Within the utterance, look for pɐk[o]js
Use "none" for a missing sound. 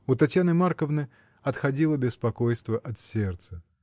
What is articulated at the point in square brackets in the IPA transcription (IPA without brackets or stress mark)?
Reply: o